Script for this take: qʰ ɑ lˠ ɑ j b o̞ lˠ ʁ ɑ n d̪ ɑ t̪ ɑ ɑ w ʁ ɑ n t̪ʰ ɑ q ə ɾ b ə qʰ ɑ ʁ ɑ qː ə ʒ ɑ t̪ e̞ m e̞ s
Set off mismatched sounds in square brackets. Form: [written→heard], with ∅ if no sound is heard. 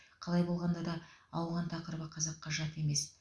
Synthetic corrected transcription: qʰ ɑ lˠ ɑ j b o̞ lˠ ʁ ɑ n d̪ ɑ [t̪→d̪] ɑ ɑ w ʁ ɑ n t̪ʰ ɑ q ə ɾ b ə qʰ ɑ [ʁ→z] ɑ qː [ə→ɑ] ʒ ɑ t̪ e̞ m e̞ s

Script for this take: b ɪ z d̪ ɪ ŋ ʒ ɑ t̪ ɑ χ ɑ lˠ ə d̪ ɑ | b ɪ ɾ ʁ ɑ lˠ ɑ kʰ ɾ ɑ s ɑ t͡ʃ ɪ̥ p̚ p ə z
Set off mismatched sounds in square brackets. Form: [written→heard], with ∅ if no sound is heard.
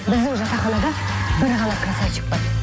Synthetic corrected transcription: b ɪ z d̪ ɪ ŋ ʒ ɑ t̪ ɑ χ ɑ lˠ [ə→ɑ] d̪ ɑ | b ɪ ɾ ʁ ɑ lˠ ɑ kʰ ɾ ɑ s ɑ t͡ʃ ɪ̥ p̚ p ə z

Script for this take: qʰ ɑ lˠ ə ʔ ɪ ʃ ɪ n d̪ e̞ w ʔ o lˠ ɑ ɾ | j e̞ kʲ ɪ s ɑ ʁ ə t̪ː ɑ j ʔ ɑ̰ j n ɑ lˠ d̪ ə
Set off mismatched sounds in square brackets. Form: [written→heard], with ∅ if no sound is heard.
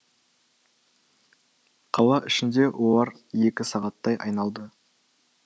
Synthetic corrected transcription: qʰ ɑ lˠ [ə→ɑ] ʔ ɪ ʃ ɪ n d̪ e̞ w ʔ o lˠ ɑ ɾ | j e̞ kʲ ɪ s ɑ ʁ [ə→ɑ] t̪ː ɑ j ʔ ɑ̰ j n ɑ lˠ d̪ ə

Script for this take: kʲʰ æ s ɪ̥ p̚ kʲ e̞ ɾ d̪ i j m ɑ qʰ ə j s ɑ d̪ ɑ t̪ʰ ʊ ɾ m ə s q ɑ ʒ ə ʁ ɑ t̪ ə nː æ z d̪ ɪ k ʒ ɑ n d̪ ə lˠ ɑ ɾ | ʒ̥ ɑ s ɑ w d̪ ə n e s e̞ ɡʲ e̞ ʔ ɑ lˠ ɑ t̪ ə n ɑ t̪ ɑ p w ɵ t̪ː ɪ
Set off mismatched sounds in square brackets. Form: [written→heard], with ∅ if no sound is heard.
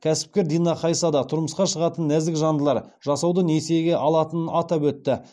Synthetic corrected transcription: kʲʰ æ s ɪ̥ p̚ kʲ e̞ ɾ d̪ i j [m→n] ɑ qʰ [ə→ɑ] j s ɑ d̪ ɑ t̪ʰ ʊ ɾ m ə s q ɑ [ʒ→ʃ] ə ʁ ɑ t̪ ə nː æ z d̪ ɪ k ʒ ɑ n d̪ ə lˠ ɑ ɾ | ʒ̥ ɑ s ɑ w d̪ ə n e s e̞ ɡʲ e̞ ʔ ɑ lˠ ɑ t̪ ə n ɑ t̪ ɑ p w ɵ t̪ː ɪ

